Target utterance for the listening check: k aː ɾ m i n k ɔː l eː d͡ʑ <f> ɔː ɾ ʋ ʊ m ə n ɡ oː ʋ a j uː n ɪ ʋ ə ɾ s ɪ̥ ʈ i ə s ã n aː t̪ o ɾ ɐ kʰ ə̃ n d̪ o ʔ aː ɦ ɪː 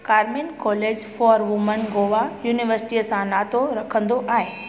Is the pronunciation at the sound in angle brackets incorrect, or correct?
correct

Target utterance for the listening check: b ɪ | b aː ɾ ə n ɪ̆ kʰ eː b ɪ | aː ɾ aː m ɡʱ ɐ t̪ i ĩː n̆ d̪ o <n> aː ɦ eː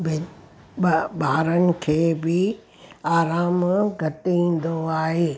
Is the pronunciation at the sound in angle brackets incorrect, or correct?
incorrect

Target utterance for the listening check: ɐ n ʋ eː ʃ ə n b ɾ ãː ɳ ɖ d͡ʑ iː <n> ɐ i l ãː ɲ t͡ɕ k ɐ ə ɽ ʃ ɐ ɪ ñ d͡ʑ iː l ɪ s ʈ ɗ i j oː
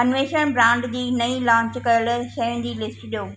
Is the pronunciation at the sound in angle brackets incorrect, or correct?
correct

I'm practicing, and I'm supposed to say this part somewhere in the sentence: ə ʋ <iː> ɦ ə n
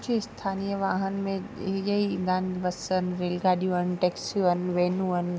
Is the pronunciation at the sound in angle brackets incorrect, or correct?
incorrect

